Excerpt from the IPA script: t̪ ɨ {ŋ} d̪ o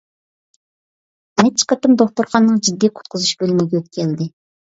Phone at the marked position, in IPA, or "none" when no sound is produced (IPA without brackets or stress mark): m